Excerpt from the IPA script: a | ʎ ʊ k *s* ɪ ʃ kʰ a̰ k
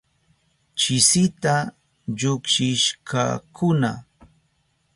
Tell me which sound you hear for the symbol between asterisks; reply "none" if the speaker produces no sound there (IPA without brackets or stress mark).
ʃ